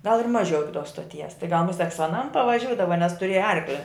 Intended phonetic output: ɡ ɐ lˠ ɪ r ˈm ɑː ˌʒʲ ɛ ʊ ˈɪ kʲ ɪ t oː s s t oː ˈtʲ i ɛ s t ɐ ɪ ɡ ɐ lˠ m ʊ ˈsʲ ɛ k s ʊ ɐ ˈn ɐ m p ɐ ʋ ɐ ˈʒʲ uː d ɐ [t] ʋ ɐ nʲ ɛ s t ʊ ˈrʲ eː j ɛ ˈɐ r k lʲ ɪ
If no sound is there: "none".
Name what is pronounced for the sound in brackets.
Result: none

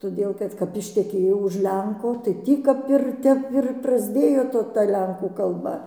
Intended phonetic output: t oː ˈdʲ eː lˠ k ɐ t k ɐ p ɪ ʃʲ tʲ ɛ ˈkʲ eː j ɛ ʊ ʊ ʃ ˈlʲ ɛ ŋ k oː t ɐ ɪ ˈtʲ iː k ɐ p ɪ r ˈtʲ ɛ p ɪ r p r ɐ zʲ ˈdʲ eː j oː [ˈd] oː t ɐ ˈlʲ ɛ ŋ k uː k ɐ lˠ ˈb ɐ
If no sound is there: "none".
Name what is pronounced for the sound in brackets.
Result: t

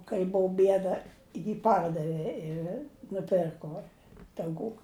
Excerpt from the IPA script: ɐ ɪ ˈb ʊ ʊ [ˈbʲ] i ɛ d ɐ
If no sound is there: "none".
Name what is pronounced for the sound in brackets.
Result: bʲ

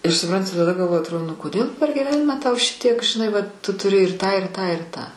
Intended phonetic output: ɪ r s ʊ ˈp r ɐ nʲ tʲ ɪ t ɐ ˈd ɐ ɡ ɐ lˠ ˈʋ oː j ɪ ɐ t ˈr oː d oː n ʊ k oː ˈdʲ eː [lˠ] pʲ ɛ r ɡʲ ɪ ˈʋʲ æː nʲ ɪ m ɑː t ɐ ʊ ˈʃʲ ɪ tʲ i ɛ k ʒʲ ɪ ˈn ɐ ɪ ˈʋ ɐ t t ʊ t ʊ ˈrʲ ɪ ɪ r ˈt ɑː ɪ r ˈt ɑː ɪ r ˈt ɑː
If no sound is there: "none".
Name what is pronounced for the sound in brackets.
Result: lˠ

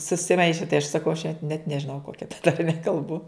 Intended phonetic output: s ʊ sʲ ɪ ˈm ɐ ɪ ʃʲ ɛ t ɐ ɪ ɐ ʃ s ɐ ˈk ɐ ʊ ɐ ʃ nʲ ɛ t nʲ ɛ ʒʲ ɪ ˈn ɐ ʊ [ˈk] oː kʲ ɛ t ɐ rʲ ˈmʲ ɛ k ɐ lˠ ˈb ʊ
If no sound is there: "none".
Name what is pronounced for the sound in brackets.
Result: k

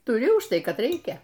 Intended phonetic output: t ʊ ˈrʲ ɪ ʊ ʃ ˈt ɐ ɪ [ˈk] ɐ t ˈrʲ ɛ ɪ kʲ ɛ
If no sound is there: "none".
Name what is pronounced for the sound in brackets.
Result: k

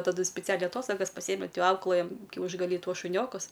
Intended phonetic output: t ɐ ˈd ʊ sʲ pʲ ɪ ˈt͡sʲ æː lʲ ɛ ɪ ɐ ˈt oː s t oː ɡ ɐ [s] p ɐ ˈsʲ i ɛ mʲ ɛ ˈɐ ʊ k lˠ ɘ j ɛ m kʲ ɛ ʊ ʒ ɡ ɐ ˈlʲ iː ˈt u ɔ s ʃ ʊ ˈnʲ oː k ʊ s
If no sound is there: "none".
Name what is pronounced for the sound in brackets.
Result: s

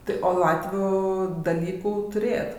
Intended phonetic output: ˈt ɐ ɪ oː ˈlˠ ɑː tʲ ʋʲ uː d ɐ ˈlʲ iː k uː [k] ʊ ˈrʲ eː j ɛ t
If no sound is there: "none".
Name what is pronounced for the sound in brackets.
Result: t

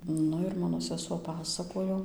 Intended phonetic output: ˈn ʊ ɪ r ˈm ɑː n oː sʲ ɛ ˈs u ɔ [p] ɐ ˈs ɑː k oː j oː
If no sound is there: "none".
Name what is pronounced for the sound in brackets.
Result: p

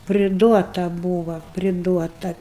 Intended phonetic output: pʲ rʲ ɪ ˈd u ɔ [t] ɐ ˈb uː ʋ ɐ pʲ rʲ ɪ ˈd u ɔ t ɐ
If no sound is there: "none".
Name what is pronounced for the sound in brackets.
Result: t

